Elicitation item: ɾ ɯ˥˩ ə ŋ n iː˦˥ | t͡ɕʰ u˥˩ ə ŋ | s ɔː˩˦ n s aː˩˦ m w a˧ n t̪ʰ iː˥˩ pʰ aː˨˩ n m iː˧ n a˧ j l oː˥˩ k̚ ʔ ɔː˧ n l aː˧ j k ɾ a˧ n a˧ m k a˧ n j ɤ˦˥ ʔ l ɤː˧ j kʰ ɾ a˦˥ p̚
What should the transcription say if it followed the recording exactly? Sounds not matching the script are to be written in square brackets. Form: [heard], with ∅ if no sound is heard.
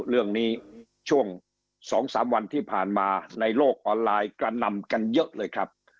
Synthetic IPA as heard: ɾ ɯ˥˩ ə ŋ n iː˦˥ | t͡ɕʰ u˥˩ ə ŋ | s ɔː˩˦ [ŋ] s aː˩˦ m w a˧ n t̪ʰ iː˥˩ pʰ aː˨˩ n m [aː˧] n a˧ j l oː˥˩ k̚ ʔ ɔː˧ n l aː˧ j k ɾ a˧ n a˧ m k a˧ n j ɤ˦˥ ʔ l ɤː˧ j kʰ ɾ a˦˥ p̚

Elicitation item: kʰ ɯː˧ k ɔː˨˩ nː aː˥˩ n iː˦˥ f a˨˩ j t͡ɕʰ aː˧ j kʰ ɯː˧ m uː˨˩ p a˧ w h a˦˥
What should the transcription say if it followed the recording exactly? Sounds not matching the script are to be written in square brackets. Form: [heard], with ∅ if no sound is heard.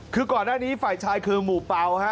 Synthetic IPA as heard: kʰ ɯː˧ k ɔː˨˩ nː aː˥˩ n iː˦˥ f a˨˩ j t͡ɕʰ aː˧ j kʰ ɯː˧ m uː˨˩ p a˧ w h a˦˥

